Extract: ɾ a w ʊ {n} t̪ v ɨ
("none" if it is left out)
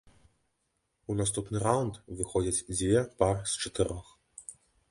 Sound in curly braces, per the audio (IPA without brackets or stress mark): n